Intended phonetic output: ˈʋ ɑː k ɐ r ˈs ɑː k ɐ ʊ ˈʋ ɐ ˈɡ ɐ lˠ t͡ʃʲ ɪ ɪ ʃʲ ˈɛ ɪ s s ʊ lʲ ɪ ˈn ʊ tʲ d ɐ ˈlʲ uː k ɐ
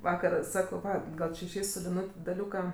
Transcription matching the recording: ˈʋ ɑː k ɐ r ˈs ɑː k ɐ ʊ ˈʋ ɐ ˈɡ ɐ lˠ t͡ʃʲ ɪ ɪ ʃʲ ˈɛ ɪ s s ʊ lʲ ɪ ˈn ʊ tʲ d ɐ ˈlʲ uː k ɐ